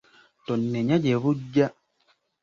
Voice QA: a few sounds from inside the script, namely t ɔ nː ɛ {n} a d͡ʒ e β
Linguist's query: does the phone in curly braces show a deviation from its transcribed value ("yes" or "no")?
yes